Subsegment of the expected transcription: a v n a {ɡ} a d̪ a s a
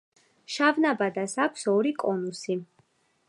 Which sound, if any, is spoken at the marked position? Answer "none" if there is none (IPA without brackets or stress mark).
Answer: b